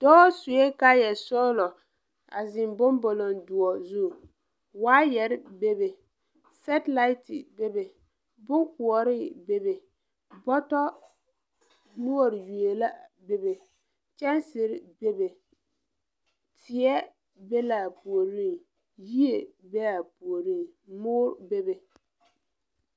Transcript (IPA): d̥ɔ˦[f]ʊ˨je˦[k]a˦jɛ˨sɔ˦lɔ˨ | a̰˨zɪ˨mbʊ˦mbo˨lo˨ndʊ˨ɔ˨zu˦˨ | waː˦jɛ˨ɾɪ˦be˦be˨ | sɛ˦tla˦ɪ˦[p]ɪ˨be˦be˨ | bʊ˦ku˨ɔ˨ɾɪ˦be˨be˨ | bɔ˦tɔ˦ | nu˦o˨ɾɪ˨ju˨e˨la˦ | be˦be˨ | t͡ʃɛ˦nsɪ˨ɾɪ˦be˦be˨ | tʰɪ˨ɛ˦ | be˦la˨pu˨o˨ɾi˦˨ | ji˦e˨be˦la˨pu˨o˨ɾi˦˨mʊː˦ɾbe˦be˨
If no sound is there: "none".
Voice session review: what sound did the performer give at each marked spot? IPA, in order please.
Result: s, k, t

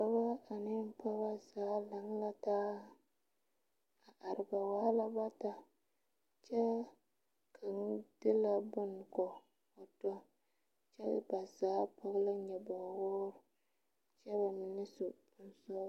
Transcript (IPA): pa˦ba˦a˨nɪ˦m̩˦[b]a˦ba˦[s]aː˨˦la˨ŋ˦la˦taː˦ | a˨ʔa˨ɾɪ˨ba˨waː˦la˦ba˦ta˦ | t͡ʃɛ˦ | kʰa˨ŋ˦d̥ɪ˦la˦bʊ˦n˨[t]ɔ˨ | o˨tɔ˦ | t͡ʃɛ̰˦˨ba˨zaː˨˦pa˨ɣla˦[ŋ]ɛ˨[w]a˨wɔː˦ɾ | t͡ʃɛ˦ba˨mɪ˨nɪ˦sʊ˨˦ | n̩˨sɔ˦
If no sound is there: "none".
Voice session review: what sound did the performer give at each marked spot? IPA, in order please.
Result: p, z, k, ɲ, b

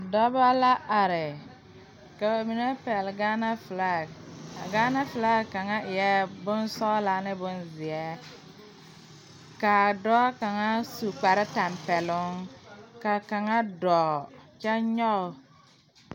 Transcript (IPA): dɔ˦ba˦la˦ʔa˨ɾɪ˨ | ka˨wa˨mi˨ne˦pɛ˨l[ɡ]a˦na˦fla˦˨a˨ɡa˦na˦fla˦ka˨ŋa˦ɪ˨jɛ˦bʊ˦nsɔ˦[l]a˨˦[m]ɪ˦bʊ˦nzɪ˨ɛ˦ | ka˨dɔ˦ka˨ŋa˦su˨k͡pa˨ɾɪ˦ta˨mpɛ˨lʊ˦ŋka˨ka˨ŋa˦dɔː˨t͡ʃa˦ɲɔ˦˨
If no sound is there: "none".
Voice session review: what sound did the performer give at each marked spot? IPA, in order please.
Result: ɡ, l, n

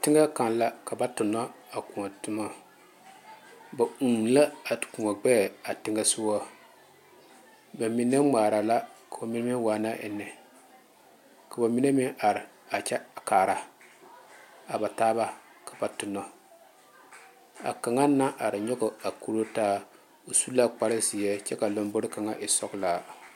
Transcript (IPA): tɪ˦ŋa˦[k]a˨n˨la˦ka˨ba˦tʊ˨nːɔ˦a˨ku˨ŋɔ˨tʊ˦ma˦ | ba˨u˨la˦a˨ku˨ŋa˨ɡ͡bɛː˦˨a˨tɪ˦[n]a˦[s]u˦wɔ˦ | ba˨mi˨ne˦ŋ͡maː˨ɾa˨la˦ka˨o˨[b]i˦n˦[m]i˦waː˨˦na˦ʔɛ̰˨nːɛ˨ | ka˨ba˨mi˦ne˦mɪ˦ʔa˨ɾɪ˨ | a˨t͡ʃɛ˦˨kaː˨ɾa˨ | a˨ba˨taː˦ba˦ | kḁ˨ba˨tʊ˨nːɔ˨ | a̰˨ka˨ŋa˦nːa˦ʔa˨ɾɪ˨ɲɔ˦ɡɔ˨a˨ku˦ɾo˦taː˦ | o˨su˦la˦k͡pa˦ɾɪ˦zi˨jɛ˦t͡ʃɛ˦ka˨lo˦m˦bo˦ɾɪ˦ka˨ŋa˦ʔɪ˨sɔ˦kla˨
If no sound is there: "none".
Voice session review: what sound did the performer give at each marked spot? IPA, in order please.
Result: k, ŋ, s, m, m

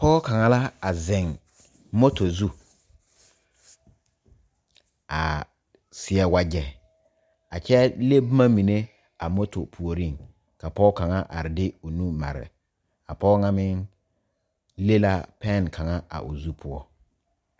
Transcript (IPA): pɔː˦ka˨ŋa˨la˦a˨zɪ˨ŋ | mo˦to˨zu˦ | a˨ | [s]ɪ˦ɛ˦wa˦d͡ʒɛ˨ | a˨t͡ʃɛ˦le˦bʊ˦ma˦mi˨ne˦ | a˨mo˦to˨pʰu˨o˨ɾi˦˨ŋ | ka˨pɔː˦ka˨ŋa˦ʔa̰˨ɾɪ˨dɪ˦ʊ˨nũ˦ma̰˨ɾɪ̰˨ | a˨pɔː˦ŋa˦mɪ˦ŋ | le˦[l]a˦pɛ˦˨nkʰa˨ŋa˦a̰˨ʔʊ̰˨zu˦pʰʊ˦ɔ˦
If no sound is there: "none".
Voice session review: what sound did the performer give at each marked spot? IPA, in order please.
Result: s, l

